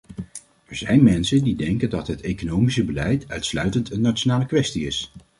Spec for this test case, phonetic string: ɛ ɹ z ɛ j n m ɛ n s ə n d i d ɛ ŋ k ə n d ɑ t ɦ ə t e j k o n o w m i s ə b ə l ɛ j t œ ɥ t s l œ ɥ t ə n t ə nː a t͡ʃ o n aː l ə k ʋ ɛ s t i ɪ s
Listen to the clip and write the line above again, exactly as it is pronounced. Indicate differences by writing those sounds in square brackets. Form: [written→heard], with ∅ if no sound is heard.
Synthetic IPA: ɛ ɹ z ɛ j n m ɛ n s ə n d i d ɛ ŋ k ə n d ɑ t ɦ ə t e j k o n o w m i s ə b ə l ɛ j t œ ɥ t s l œ ɥ t ə n t ə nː a t͡ʃ o n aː l ə k ʋ ɛ s t i ɪ s